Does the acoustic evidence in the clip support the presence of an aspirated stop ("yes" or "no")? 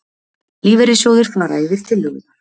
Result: yes